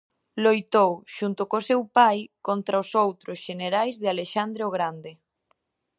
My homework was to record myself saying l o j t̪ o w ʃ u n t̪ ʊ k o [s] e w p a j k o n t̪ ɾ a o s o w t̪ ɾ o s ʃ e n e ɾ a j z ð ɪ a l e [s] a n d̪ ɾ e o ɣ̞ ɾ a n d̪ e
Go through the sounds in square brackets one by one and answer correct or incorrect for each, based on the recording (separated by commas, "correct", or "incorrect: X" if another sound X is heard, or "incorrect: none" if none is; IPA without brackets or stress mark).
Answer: correct, incorrect: ʃ